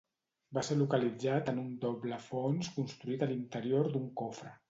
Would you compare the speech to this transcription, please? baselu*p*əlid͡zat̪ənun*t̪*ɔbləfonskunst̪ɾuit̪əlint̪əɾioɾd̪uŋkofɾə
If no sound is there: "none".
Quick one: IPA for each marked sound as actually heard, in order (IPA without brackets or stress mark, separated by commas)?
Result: k, d̪